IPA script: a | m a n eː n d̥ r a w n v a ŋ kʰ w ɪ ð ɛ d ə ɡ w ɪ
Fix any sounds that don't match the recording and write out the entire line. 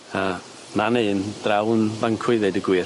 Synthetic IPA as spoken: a | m a n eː n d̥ r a w n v a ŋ kʰ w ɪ ð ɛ d ə ɡ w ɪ